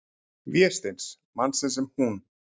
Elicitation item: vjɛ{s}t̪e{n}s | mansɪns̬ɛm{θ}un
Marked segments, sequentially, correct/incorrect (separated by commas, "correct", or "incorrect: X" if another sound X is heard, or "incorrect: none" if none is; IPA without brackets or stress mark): correct, correct, incorrect: h